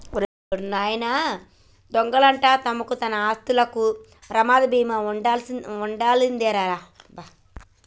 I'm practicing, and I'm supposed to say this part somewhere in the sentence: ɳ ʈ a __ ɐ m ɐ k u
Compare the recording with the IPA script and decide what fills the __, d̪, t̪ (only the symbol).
t̪